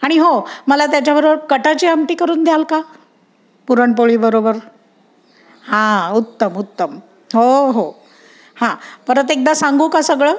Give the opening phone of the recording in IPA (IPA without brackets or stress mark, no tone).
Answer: a